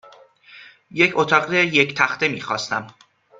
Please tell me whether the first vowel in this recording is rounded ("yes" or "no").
no